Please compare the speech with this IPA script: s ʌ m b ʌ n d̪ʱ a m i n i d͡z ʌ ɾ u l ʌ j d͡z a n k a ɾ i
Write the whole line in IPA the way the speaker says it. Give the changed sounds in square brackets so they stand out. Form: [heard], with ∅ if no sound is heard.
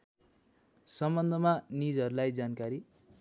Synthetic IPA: s ʌ m b ʌ n d̪ʱ [ʌ] m [a] n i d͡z ʌ ɾ u l [a] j d͡z a n k a ɾ i

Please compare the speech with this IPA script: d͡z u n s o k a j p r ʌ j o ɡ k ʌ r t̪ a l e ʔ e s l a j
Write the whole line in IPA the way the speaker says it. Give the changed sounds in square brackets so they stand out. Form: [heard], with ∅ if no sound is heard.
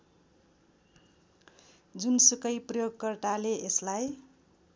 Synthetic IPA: d͡z u n s [u] k [ʌ] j p r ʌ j o ɡ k ʌ r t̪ a l e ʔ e s l a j

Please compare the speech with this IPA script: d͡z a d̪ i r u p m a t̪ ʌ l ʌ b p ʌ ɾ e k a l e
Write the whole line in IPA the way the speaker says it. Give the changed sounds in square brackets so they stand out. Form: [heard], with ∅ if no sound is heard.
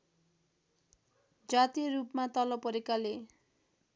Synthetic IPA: d͡z a [t̪] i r u p m a t̪ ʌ l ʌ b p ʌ ɾ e k a l e

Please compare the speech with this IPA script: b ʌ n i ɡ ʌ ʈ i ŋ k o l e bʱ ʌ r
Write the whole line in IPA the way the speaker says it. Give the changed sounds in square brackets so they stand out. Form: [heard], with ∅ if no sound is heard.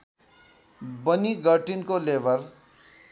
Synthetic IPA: b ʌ n i ɡ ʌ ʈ i [n] k o l e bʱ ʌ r

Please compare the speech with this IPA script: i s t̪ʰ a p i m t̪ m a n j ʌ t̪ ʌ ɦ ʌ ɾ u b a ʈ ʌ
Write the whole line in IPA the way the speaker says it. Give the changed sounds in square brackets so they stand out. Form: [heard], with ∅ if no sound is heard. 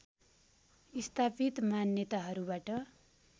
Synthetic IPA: i s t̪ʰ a p i [∅] t̪ m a n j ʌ t̪ [a] ɦ ʌ ɾ u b a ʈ ʌ

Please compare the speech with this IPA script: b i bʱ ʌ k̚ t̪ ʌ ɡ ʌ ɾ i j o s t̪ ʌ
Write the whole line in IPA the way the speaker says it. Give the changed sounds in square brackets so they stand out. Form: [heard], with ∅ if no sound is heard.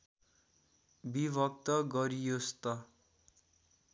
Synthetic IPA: b i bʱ ʌ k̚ t̪ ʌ ɡ ʌ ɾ i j o s t̪ ʌ

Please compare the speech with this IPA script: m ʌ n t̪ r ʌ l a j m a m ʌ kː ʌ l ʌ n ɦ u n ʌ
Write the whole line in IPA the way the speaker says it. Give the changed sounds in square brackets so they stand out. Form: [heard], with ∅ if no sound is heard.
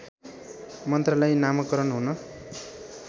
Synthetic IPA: m ʌ n t̪ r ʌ l a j [n] a m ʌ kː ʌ [ɾ] ʌ n ɦ u n ʌ

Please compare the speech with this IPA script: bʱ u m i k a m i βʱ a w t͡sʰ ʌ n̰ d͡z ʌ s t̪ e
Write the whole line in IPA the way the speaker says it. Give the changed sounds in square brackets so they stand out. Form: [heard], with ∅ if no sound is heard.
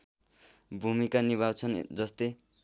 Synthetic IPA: bʱ u m i k a [n] i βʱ a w t͡sʰ ʌ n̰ d͡z ʌ s t̪ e

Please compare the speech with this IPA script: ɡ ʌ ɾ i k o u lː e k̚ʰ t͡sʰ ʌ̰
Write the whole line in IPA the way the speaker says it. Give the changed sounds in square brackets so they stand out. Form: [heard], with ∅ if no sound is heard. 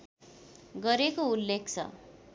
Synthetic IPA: ɡ ʌ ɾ [e] k o u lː e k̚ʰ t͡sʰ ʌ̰

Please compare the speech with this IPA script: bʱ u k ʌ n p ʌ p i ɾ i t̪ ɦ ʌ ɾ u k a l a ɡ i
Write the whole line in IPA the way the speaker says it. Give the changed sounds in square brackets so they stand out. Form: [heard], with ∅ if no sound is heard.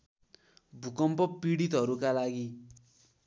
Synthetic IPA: bʱ u k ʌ [m] p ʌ p i [ɽ] i t̪ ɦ ʌ ɾ u k a l a ɡ i

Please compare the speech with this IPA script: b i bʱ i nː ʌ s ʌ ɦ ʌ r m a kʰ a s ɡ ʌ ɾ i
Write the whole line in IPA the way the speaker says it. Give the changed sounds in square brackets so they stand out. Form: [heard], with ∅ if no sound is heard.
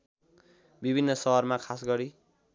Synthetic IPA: b i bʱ i nː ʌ s ʌ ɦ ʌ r m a kʰ a s ɡ ʌ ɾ i

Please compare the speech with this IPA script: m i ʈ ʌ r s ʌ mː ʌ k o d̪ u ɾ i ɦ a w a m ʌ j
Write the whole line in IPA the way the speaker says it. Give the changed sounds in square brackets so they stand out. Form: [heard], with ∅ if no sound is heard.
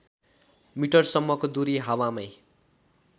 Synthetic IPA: m i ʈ ʌ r s ʌ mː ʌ k o d̪ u ɾ i ɦ a w a m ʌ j

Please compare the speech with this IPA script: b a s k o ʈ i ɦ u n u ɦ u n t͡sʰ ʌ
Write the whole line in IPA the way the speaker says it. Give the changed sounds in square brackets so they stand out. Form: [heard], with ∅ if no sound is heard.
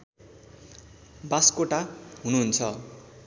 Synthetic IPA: b a s k o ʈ [a] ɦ u n u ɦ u n t͡sʰ ʌ

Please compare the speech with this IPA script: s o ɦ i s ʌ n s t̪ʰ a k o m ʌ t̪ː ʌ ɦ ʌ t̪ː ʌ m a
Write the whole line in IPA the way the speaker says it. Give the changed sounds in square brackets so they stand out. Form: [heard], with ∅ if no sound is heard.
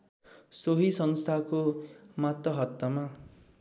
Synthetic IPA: s o ɦ i s ʌ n s t̪ʰ a k o m [a] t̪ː ʌ ɦ ʌ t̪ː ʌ m a

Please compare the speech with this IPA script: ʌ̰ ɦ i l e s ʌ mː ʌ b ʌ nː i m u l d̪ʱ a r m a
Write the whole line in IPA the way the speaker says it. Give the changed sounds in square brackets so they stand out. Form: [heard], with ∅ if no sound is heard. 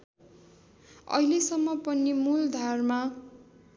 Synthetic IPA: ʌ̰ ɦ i l e s ʌ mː ʌ [p] ʌ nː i m u l d̪ʱ a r m a

